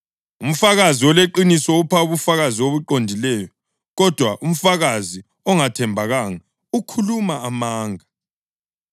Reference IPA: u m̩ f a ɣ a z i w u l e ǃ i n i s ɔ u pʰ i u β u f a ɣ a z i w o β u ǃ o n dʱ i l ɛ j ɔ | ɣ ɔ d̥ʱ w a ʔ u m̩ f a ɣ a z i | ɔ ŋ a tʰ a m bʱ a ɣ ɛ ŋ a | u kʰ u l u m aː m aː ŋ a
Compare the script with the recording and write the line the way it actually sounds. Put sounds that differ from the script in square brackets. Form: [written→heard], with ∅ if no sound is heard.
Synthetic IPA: u m̩ f a ɣ a z i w [u→ɔ] l e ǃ i n i s ɔ u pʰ [i→a] u β u f a ɣ a z i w o β u ǃ o n dʱ i l ɛ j ɔ | ɣ ɔ d̥ʱ w a ʔ u m̩ f a ɣ a z i | ɔ ŋ a tʰ [a→ɛ] m bʱ a ɣ [ɛ→a] ŋ a | u kʰ u l u m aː m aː ŋ a